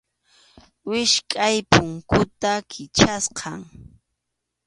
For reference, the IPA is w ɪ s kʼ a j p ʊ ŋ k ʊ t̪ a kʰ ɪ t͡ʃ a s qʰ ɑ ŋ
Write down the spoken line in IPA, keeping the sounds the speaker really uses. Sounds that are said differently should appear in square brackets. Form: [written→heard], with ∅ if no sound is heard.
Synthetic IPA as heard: w ɪ [s→ʃ] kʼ a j p ʊ ŋ k ʊ t̪ a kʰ ɪ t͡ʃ a s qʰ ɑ ŋ